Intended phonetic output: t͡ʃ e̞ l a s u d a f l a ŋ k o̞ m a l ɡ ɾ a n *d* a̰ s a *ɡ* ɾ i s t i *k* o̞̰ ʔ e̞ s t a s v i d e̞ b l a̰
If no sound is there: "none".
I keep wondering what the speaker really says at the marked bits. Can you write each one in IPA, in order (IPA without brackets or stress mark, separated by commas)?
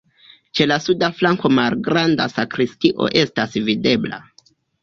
d, k, ʔ